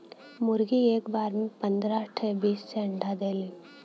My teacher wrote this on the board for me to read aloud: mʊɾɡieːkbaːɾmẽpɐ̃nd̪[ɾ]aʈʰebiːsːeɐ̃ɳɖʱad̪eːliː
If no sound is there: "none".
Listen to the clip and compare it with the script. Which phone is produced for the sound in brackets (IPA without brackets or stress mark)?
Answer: ɾ